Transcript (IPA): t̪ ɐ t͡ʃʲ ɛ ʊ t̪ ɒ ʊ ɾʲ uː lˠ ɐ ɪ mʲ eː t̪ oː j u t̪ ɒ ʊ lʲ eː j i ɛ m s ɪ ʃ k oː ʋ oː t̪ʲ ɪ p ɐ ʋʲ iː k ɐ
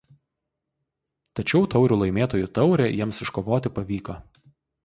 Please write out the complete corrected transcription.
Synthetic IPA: t̪ ɐ t͡ʃʲ ɛ ʊ t̪ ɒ ʊ ɾʲ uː lˠ ɐ ɪ mʲ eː t̪ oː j u t̪ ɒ ʊ ɾʲ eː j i ɛ m s ɪ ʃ k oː ʋ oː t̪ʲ ɪ p ɐ ʋʲ iː k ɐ